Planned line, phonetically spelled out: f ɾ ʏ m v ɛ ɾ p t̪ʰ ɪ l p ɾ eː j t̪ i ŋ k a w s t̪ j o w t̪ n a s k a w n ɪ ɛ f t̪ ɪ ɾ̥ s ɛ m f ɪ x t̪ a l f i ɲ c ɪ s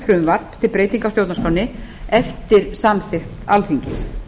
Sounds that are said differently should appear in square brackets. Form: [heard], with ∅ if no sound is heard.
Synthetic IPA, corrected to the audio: f ɾ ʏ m v [a] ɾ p t̪ʰ ɪ l p ɾ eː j t̪ i ŋ k a w s t̪ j o w t̪ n a s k a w n ɪ ɛ f t̪ ɪ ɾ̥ s [a] m [θ] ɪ x t̪ a l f i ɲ c ɪ s

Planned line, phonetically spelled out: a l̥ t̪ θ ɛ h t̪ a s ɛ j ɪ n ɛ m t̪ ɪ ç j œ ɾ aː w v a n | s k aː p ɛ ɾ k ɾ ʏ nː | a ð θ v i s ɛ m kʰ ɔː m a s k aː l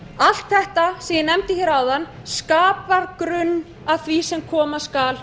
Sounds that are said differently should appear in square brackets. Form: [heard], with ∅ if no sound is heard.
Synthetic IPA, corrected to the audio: a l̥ t̪ θ ɛ h t̪ a s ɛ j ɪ n ɛ m t̪ ɪ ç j [ɛ] ɾ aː w [ð] a n | s k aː p [a] ɾ k ɾ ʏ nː | a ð θ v i s ɛ m kʰ ɔː m a s k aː l

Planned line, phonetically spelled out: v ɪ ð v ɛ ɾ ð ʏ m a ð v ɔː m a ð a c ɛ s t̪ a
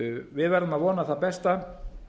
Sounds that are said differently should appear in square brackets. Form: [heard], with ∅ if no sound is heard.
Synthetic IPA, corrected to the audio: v ɪ ð v ɛ ɾ ð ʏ m a ð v ɔː [n] a [θ] a [p] ɛ s t̪ a

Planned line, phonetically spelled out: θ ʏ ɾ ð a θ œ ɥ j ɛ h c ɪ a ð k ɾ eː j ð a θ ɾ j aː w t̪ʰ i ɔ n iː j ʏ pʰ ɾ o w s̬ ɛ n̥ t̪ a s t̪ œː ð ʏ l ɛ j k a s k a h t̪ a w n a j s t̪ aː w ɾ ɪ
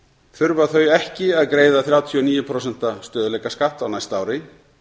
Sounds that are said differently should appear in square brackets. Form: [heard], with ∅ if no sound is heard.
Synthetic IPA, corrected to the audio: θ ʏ ɾ [v] a θ œ ɥ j ɛ h c ɪ a ð k ɾ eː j ð a θ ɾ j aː w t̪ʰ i ɔ n iː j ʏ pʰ ɾ o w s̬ ɛ n̥ t̪ a s t̪ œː ð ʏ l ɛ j k a s k a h t̪ a w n a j s t̪ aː w ɾ ɪ

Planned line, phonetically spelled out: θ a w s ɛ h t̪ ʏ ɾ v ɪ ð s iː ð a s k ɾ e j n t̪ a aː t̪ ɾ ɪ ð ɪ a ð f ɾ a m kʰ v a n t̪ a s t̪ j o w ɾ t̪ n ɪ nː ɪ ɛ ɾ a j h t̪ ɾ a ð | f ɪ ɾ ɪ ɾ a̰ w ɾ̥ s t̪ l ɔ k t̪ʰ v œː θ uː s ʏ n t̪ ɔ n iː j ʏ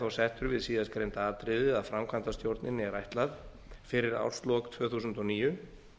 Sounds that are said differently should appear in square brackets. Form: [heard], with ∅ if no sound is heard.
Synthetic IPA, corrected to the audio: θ a w s ɛ h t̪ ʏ ɾ v ɪ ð s iː ð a s k ɾ e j n t̪ a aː t̪ ɾ ɪ ð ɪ a ð f ɾ a m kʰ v a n t̪ a s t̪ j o w ɾ t̪ n ɪ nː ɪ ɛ ɾ a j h t̪ [l] a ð | f ɪ ɾ ɪ ɾ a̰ w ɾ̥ s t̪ l ɔ k t̪ʰ v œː θ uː s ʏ n t̪ ɔ n iː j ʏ

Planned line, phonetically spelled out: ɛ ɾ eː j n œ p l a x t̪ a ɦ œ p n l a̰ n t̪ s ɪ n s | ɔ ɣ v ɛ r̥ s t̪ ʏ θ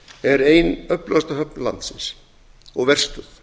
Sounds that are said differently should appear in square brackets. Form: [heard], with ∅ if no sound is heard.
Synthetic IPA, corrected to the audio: ɛ ɾ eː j n œ p l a [s] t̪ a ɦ œ p n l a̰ n t̪ s ɪ n s | ɔ ɣ v ɛ r̥ s t̪ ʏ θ

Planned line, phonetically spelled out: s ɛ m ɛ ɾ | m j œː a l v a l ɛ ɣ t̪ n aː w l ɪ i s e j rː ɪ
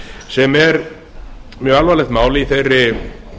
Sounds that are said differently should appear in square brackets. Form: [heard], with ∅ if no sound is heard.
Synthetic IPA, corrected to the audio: s ɛ m ɛ ɾ | m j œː a l v a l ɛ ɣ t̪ [m] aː w l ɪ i [θ] e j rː ɪ

